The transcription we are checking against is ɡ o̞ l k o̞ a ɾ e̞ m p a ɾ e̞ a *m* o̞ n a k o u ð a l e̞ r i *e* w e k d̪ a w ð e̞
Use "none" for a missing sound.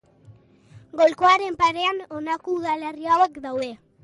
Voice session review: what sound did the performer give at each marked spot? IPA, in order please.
n, a

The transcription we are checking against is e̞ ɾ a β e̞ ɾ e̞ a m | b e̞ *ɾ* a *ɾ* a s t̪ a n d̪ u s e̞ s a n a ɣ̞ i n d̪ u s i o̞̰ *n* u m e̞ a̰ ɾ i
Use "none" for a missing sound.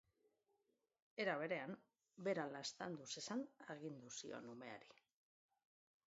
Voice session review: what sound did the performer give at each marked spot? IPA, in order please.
ɾ, l, n

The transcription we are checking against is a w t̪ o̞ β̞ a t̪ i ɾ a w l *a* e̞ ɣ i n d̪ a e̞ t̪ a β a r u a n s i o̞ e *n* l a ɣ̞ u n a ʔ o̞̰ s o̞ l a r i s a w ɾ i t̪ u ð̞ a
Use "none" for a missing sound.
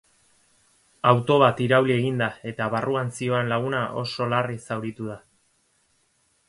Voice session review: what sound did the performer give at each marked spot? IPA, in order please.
i, n

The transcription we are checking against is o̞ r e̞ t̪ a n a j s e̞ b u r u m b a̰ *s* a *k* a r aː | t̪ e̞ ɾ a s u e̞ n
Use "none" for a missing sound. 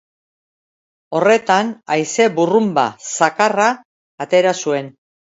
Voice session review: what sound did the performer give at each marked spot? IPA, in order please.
s, k

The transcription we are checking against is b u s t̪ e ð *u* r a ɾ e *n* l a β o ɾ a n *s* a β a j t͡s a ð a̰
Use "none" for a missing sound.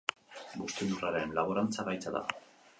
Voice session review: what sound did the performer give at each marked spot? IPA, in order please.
u, n, t͡s

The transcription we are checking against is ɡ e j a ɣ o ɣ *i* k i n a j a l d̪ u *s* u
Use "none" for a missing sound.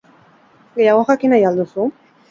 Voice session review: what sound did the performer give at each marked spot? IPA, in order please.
a, s

